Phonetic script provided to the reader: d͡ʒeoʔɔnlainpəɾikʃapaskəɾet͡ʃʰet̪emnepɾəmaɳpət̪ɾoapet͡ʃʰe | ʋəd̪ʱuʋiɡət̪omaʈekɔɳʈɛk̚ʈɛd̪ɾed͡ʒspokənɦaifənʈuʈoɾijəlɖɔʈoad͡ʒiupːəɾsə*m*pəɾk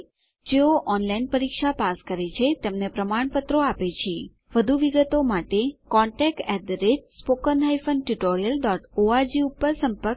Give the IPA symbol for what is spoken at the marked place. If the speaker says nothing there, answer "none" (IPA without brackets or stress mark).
m